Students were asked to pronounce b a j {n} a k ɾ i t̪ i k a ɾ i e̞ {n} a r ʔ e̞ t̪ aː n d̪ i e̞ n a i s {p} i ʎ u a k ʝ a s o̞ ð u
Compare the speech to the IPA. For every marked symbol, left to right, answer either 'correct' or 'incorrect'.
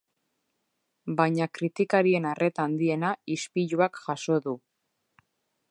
incorrect: ɲ, correct, correct

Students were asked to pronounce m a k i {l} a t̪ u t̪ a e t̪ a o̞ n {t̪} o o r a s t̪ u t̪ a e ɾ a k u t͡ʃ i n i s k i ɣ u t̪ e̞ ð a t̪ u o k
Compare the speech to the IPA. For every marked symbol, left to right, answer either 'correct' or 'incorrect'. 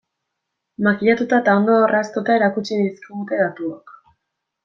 incorrect: ʎ, incorrect: d̪

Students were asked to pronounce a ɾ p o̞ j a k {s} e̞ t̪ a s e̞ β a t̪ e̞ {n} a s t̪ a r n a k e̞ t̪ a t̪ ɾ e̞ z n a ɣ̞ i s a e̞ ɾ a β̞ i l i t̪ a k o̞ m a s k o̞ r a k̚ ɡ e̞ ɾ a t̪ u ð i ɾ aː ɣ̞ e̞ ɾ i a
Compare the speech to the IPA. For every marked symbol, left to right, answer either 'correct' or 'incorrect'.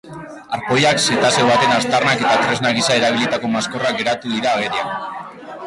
correct, correct

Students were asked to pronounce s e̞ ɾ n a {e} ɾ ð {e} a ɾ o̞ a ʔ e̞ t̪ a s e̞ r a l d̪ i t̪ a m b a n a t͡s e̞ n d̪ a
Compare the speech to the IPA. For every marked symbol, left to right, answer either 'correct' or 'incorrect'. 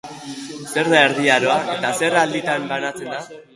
correct, incorrect: i

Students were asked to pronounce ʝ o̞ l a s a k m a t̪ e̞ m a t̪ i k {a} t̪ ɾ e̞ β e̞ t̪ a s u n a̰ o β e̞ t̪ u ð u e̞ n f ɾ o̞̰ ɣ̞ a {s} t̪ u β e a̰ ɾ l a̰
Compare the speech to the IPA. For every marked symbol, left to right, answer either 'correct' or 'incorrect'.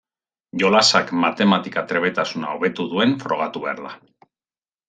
correct, incorrect: none

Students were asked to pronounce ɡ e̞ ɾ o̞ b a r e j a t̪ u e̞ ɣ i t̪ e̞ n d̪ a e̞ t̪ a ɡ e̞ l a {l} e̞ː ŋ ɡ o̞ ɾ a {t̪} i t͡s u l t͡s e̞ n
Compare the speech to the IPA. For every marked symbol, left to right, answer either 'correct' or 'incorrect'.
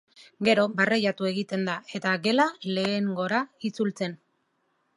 correct, incorrect: none

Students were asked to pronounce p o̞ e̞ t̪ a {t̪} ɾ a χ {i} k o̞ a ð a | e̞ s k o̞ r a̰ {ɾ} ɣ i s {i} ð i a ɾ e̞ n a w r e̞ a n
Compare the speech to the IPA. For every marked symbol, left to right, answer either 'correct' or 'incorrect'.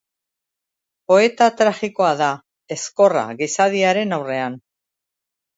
correct, correct, incorrect: none, incorrect: a

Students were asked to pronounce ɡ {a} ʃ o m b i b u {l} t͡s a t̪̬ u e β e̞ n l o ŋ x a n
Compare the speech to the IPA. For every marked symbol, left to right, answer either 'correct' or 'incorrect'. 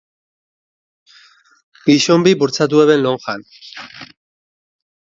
incorrect: i, incorrect: ɾ

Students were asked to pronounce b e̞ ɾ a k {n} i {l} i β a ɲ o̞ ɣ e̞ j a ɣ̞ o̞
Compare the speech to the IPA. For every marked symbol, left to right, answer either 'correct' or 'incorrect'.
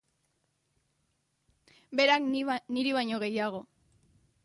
correct, incorrect: ɾ

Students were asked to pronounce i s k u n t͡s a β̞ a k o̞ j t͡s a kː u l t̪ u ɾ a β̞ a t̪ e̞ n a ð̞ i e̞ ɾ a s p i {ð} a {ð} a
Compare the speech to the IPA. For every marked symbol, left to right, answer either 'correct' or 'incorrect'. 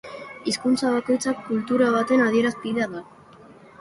correct, correct

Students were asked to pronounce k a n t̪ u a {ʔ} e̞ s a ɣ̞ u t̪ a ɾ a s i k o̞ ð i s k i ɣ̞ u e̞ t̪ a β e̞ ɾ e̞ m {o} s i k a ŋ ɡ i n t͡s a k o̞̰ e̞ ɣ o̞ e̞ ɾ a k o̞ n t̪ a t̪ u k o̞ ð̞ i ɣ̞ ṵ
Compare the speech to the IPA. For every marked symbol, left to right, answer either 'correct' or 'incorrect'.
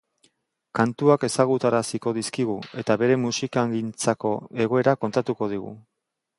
incorrect: k, incorrect: u

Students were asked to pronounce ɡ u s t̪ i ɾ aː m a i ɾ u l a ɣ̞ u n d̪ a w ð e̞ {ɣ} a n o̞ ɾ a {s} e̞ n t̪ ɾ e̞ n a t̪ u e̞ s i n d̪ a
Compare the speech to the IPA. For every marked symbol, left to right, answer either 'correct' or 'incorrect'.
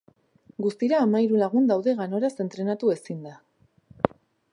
correct, correct

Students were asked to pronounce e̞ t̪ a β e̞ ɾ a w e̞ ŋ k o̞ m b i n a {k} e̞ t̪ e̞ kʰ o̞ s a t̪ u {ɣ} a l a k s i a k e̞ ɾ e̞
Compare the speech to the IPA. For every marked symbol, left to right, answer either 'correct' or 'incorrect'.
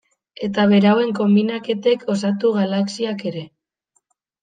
correct, correct

